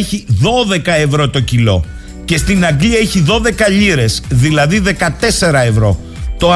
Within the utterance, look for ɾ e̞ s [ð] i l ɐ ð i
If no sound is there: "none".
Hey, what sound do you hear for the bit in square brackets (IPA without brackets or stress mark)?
ð